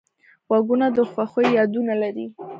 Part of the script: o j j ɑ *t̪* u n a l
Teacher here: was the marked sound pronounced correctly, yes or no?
no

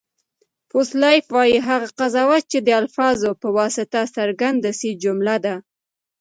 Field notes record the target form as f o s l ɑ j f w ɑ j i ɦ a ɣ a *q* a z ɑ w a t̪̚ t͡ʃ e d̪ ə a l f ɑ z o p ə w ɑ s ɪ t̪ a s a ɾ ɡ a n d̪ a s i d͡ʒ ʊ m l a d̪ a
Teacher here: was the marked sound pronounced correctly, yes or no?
yes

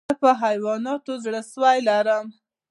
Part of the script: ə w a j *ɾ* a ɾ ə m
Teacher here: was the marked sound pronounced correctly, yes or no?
no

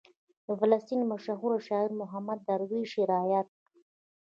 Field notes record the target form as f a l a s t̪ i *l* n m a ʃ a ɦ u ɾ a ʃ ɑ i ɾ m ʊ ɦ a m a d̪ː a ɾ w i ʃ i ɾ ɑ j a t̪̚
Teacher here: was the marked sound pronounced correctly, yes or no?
no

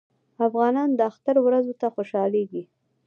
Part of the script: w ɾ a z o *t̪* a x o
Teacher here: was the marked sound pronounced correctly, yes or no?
yes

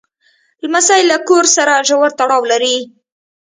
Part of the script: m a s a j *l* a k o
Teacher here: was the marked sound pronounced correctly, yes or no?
yes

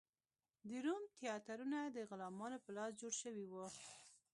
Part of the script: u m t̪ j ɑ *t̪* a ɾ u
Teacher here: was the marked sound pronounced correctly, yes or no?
yes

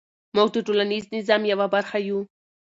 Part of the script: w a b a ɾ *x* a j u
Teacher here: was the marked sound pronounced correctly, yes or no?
yes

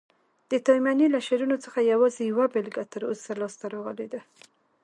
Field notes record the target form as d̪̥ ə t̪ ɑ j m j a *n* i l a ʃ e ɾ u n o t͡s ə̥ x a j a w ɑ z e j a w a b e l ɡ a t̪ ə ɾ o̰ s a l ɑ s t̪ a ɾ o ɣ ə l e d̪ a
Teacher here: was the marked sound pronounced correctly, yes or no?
yes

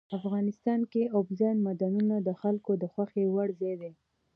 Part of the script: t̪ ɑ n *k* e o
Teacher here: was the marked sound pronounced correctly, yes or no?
yes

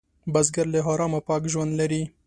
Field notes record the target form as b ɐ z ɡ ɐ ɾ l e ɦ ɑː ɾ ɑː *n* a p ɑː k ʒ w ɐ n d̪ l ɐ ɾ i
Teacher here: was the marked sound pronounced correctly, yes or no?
no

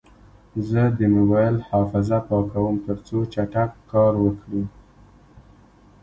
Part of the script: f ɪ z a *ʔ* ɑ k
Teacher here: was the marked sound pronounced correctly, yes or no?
no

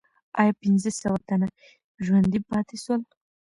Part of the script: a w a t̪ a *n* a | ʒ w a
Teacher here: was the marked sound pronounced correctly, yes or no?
yes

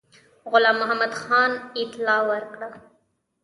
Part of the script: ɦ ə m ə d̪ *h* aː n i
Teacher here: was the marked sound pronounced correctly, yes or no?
no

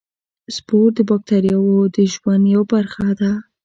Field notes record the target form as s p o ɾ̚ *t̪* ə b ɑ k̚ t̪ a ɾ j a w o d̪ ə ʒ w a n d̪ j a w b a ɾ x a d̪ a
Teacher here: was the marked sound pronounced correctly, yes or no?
no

